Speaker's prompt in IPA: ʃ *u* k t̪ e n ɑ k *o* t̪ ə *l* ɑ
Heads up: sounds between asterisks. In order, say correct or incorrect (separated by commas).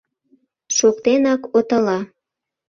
incorrect, correct, correct